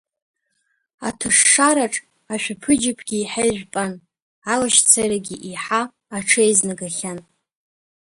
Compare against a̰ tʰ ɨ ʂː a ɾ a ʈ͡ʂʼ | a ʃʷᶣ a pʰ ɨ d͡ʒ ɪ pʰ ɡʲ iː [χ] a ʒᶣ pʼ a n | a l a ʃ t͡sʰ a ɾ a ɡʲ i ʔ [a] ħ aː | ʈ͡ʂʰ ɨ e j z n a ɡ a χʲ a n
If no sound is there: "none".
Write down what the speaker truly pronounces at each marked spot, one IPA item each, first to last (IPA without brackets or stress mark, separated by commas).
ħ, i